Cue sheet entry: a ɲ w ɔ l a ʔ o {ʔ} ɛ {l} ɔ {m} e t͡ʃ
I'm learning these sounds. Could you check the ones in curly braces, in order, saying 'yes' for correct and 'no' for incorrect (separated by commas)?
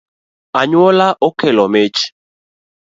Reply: no, yes, yes